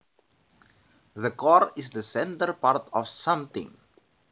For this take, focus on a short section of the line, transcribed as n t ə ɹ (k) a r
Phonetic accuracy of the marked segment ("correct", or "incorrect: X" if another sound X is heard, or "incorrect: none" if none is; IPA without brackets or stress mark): incorrect: p